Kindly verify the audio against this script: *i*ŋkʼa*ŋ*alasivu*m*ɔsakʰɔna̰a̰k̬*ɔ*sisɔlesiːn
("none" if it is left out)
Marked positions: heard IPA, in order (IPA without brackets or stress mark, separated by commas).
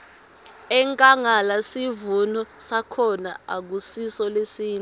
ɛ, ŋ, n, u